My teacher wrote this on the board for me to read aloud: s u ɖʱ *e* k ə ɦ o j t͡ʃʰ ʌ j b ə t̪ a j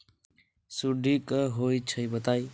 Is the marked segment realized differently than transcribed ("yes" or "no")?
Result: yes